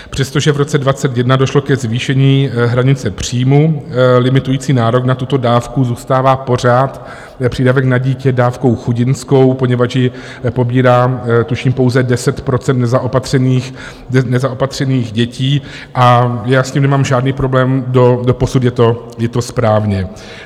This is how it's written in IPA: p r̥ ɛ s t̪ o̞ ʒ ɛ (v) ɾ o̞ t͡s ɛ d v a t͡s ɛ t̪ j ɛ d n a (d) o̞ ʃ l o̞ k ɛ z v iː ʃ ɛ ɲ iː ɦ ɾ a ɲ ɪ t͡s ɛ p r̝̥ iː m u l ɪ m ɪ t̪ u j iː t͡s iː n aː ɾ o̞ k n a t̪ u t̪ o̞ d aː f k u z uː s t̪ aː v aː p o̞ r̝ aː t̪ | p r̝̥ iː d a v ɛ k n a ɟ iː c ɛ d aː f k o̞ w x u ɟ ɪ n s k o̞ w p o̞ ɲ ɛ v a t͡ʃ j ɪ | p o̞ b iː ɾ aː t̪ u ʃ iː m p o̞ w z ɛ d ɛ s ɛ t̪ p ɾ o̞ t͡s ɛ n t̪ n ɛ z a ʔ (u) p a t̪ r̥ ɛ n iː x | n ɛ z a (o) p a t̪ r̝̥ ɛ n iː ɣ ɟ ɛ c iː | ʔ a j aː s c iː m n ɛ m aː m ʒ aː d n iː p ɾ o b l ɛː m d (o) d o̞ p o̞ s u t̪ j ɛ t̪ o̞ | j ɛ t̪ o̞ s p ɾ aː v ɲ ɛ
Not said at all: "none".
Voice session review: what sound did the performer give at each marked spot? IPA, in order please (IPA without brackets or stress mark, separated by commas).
v, d, o, o, o